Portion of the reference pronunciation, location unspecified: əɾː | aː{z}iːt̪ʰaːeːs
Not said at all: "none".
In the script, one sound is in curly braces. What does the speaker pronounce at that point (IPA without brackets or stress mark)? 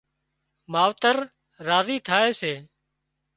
z